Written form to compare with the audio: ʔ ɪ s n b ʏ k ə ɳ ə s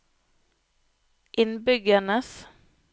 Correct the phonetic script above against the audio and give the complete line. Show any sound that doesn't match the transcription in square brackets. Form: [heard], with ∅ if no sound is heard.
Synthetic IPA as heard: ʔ ɪ [∅] n b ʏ [ɡ] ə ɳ ə s